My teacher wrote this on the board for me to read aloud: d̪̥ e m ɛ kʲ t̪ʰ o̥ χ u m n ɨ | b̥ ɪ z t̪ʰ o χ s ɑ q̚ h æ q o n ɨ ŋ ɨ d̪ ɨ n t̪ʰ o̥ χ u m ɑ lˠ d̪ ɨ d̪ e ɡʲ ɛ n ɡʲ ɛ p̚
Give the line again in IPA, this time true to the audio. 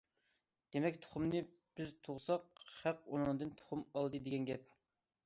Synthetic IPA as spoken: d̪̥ e m ɛ kʲ t̪ʰ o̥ χ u m n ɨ | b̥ ɪ z t̪ʰ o ʁ s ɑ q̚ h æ q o n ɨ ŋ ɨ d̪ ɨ n t̪ʰ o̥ χ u m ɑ lˠ d̪ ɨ d̪ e ɡʲ ɛ n ɡʲ ɛ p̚